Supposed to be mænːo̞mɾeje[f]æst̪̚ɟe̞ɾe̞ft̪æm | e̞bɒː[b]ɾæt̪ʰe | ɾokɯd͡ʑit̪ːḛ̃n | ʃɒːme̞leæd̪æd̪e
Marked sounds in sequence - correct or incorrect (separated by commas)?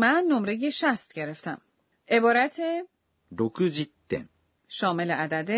incorrect, incorrect